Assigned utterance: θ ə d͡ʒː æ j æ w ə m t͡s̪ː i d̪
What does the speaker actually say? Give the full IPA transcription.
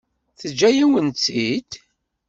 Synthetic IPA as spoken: θ ə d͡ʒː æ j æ w ə n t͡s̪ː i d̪